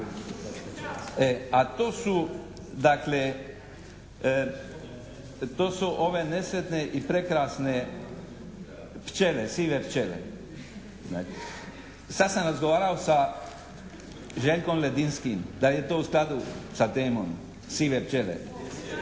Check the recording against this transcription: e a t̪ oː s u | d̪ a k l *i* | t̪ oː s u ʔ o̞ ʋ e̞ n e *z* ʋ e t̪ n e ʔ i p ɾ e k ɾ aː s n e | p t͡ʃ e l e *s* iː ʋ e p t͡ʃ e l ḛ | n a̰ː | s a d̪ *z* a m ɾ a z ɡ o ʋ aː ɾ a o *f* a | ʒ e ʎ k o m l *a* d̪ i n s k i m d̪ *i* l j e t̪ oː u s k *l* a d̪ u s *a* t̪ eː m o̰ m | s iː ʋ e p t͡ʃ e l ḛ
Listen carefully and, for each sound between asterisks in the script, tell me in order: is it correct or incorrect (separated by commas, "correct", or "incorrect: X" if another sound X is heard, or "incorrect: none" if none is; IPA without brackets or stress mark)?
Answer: incorrect: e, incorrect: s, correct, incorrect: s, incorrect: s, incorrect: e, incorrect: a, correct, correct